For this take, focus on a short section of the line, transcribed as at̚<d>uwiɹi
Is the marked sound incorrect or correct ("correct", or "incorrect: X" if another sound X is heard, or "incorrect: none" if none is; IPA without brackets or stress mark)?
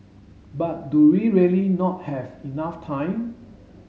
correct